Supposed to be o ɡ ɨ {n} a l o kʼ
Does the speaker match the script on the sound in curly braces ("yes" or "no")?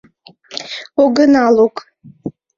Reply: yes